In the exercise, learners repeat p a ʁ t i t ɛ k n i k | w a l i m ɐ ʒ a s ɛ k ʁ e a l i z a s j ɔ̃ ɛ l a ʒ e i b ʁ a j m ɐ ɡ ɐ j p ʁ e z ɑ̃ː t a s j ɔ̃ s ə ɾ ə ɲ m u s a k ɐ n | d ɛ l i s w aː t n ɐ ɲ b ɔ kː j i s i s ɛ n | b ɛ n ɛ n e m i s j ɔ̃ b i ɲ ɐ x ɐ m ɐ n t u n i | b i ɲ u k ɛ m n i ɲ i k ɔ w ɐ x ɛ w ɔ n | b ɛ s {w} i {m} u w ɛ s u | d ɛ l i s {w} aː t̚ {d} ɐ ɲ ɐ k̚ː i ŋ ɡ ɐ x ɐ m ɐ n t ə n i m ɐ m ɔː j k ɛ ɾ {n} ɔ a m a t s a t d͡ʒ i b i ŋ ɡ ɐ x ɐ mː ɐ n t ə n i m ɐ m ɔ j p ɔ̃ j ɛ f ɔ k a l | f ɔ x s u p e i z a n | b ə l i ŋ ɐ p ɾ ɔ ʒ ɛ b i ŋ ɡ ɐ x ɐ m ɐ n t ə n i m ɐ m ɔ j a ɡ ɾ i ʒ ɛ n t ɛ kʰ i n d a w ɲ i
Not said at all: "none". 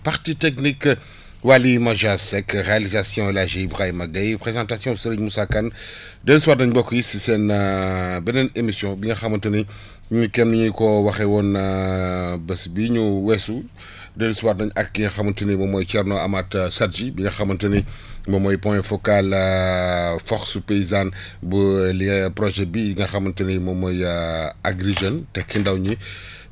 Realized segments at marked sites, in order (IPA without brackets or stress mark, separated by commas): b, ɲ, w, n, n